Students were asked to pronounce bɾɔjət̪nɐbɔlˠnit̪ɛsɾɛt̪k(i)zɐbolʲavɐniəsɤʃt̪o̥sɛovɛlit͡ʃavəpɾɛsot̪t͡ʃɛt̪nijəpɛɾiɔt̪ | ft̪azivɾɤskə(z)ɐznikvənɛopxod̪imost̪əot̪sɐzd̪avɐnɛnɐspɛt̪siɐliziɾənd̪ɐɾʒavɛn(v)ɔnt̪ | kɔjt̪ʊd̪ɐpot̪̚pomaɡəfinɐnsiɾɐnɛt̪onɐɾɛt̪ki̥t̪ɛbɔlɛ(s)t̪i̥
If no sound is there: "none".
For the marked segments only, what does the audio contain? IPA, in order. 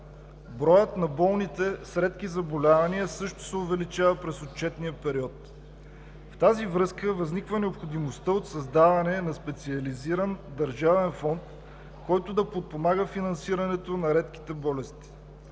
i, v, f, s

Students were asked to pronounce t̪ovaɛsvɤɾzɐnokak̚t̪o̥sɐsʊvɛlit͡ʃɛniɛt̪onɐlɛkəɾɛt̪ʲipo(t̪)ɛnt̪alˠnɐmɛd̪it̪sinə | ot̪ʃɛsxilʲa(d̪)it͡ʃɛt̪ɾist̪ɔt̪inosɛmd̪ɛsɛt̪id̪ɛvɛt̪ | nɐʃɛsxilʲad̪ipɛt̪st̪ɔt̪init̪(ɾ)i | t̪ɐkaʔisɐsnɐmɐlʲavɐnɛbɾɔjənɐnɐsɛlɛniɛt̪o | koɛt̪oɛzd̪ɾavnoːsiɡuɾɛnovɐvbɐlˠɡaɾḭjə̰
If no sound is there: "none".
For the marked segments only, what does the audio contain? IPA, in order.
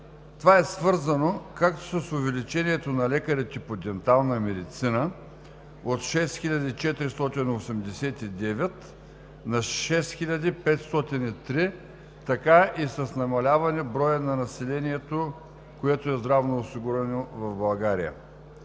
d̪, d̪, ɾ

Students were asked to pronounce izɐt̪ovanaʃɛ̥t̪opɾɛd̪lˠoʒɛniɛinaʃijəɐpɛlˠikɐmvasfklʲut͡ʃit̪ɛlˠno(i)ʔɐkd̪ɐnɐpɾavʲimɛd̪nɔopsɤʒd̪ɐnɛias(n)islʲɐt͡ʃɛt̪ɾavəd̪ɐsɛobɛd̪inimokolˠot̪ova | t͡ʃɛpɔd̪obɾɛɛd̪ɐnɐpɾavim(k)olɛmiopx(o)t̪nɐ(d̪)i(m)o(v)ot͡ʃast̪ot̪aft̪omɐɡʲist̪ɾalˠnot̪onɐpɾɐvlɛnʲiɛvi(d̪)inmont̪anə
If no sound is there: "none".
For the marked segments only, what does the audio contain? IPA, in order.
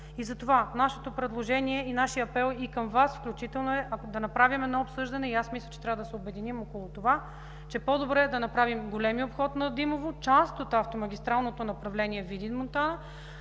ɛ, m, ɡ, ɔ, d̪, m, v, d̪

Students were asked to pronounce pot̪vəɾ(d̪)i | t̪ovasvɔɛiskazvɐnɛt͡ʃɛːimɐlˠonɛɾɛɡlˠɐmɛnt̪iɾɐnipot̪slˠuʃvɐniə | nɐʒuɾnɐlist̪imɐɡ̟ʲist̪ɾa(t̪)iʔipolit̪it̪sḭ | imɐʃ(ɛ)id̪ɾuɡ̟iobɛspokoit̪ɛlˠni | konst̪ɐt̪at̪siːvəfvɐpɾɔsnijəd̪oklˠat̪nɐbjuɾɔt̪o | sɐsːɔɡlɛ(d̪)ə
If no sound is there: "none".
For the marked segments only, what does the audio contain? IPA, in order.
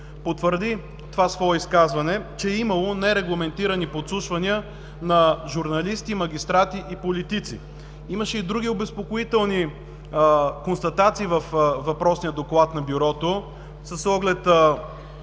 d̪, t̪, ɛ, t̪

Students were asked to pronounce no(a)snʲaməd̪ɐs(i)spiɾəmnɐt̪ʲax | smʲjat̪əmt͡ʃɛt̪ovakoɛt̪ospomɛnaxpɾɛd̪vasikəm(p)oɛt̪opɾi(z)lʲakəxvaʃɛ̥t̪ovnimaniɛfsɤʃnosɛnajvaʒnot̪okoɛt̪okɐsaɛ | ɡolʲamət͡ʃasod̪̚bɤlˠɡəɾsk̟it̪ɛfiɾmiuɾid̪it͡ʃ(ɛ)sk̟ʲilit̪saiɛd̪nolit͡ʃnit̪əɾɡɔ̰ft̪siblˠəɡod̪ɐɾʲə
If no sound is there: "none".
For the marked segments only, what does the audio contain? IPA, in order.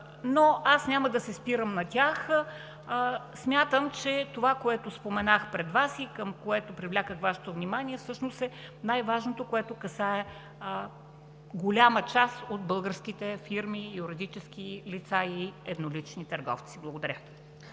a, ɛ, k, v, ɛ

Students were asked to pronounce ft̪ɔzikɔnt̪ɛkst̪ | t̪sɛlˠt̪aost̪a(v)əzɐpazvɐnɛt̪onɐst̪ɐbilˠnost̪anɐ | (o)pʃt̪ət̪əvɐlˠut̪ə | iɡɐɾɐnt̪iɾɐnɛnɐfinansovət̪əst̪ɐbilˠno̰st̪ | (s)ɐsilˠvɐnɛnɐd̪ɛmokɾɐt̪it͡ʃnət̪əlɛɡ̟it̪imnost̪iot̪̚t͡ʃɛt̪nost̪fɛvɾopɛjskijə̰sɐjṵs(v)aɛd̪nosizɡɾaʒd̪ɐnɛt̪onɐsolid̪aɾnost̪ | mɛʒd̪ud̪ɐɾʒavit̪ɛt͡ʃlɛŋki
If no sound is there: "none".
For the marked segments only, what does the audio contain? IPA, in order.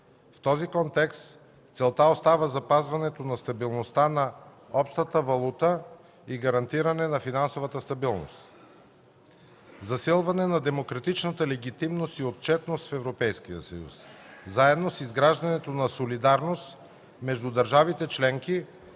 v, ɔ, z, z

